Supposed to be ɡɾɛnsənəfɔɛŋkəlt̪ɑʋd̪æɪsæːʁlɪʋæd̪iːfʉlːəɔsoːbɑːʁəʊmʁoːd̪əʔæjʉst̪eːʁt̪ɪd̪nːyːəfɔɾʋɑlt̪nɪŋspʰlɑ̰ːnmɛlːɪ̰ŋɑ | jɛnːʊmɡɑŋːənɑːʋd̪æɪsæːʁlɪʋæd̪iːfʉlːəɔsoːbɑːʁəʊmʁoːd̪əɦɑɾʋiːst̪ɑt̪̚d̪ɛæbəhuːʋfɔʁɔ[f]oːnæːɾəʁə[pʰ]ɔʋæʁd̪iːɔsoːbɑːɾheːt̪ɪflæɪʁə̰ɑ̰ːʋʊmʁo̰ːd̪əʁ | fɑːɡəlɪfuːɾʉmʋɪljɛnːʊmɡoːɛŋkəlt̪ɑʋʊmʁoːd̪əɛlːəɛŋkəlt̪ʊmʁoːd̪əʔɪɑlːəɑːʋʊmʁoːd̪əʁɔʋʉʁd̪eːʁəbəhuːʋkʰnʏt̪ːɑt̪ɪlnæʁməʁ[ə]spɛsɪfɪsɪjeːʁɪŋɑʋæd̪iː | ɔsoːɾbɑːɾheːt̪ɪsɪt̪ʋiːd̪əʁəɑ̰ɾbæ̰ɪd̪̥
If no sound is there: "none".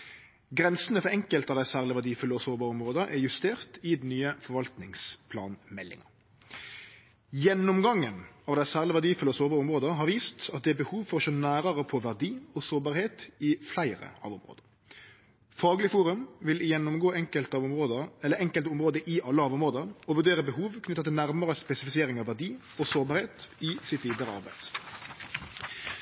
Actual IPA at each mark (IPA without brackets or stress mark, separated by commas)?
ʃ, pʰ, ə